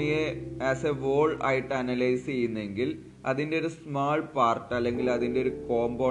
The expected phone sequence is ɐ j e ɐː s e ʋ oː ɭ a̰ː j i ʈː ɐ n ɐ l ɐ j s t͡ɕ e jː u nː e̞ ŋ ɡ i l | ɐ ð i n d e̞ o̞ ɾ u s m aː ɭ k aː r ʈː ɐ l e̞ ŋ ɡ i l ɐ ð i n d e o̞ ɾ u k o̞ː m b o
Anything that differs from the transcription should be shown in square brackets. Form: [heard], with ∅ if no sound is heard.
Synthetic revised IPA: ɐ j e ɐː s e ʋ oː ɭ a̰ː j i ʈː ɐ n ɐ l ɐ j s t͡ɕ e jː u nː e̞ ŋ ɡ i l | ɐ ð i n d e̞ o̞ ɾ u s m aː ɭ [p] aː r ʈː ɐ [lː] e̞ ŋ ɡ i l ɐ ð i n d e o̞ ɾ u k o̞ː m b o